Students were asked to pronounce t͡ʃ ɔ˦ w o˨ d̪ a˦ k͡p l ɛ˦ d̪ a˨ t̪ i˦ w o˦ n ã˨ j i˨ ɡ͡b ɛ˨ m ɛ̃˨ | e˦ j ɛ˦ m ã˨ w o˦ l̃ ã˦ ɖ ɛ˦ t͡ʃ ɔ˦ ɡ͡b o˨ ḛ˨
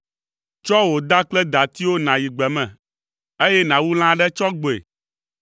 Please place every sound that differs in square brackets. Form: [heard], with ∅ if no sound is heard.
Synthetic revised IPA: t͡ʃ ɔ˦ w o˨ d̪ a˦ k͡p l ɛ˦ d̪ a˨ t̪ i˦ w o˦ n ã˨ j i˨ ɡ͡b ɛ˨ m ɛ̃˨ | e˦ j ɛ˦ [n] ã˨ w [u˦] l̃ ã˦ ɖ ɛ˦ t͡ʃ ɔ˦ ɡ͡b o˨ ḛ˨